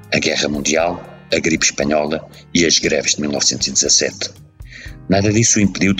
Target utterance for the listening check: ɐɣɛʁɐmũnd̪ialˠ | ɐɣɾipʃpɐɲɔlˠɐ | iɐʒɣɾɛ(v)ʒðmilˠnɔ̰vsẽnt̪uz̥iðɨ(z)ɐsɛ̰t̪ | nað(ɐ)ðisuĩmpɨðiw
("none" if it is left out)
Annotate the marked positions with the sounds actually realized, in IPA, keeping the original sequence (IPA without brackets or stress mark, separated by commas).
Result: v, z, ɐ